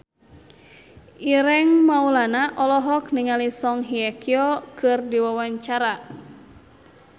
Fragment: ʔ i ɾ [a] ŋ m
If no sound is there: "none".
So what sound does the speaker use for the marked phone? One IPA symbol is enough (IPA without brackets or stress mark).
ɛ